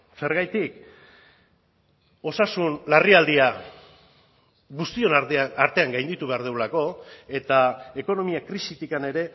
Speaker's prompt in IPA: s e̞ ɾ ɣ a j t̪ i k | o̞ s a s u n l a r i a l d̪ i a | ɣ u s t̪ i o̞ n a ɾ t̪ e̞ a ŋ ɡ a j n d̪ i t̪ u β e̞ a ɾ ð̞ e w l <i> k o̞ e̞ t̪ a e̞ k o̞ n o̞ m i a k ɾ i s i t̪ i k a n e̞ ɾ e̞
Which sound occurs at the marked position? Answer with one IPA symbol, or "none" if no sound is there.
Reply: a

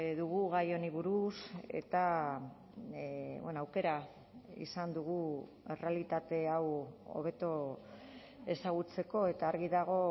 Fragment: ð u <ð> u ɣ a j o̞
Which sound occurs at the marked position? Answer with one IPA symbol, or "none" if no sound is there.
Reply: ɣ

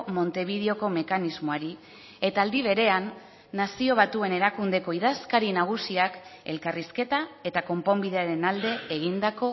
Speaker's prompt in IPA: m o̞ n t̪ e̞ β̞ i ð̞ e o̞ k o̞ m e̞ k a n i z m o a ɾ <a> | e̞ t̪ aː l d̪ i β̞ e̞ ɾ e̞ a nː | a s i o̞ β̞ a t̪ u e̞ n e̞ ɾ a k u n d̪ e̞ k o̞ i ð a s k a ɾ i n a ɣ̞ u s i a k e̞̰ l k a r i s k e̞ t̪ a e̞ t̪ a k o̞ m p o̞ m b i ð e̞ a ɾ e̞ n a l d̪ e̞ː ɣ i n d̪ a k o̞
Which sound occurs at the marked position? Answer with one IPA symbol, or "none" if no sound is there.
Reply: i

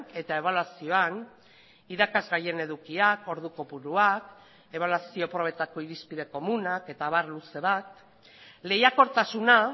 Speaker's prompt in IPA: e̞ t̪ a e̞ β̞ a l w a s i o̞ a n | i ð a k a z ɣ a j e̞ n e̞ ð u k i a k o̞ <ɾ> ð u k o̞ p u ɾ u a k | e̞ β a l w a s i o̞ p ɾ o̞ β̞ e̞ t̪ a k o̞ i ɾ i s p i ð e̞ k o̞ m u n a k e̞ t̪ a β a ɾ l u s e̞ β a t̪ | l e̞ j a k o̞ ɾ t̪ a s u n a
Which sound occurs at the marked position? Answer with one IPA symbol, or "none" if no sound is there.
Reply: ɾ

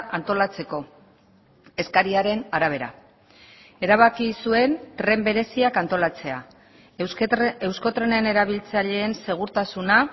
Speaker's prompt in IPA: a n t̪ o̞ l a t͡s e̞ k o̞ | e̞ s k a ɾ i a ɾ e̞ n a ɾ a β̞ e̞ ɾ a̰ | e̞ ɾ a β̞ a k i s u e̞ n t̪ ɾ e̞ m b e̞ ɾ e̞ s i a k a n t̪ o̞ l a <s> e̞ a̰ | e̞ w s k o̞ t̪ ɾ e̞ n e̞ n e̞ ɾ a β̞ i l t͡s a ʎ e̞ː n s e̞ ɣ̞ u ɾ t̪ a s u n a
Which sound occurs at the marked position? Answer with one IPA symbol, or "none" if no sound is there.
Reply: t͡s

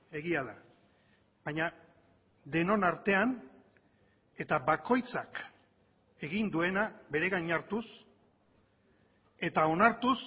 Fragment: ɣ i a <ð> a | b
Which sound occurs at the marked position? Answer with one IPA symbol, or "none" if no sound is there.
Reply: ð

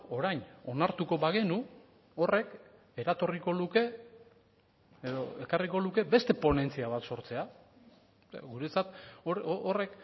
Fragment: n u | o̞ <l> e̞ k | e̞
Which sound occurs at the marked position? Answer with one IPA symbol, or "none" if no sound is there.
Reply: r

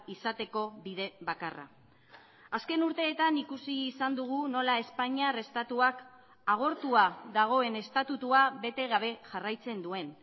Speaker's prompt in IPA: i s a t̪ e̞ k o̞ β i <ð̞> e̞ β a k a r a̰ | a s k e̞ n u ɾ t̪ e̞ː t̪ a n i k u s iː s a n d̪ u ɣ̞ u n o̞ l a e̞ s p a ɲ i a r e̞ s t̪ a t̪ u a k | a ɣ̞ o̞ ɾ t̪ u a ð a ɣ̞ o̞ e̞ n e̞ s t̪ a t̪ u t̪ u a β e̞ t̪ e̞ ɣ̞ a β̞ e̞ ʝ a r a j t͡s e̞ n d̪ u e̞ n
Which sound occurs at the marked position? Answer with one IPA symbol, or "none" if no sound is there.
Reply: ð̞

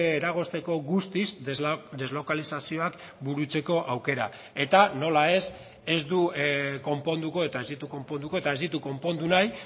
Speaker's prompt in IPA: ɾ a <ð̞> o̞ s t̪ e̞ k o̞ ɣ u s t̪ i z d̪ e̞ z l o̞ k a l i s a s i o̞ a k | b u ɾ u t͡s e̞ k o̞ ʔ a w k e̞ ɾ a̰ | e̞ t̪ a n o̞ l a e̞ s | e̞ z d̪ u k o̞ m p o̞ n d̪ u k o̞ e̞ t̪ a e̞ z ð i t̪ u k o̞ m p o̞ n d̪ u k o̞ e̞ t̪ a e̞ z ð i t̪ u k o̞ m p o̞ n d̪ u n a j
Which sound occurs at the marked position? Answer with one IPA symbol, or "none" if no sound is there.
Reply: ɣ̞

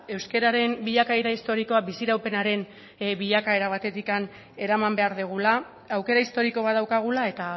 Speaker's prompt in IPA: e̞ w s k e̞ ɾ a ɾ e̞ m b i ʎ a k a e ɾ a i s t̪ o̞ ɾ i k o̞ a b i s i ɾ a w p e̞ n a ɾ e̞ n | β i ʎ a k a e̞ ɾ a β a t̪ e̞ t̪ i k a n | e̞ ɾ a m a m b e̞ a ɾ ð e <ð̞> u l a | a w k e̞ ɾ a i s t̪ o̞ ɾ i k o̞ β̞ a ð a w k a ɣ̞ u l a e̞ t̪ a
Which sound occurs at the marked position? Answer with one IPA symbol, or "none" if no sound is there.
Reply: ɣ̞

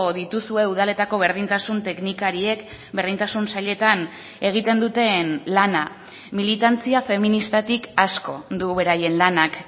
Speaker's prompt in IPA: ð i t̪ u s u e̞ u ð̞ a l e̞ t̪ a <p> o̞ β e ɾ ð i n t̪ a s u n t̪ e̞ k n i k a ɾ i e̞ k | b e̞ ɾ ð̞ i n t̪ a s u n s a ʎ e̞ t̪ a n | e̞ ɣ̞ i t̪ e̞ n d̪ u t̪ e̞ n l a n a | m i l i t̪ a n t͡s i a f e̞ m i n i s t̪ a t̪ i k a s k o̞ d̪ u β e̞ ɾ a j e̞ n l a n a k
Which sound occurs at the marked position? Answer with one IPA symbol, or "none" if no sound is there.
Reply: k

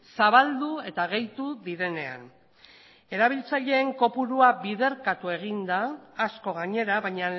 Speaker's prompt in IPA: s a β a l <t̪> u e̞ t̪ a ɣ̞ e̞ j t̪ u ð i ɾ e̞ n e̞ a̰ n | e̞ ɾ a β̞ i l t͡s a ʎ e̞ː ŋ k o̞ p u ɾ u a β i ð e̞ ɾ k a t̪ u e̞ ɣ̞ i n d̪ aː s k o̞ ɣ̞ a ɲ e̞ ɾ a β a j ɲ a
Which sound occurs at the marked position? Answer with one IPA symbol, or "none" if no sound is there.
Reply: d̪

